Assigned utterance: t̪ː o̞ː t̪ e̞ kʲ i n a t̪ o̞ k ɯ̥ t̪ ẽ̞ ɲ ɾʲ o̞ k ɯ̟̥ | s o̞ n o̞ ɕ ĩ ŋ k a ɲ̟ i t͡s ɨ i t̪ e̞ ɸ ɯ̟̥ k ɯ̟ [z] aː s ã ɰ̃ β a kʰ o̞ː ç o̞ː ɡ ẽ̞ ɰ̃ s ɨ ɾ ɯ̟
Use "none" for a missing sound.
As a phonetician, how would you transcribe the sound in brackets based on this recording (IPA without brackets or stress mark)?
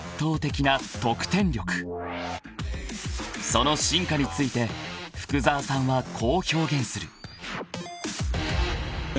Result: z